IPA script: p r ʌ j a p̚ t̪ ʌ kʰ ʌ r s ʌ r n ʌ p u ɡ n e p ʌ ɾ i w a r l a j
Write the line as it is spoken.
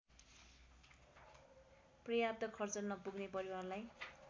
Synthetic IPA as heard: p r ʌ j a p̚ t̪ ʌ kʰ ʌ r t͡s ʌ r n ʌ p u ɡ n e p ʌ ɾ i w a r l a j